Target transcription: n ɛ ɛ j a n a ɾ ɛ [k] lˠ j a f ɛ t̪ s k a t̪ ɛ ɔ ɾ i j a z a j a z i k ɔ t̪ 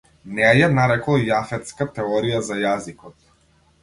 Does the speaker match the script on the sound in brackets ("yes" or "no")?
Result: yes